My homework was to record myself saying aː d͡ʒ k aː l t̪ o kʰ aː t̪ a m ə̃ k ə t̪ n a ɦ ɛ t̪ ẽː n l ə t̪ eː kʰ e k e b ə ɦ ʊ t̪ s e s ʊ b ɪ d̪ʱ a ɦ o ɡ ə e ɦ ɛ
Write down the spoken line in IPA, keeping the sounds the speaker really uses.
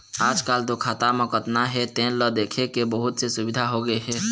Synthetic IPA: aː d͡ʒ k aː l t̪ o kʰ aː t̪ a m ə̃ k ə t̪ n a ɦ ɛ t̪ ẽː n l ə d̪ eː kʰ e k e b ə ɦ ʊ t̪ s e s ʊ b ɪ d̪ʱ a ɦ o ɡ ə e ɦ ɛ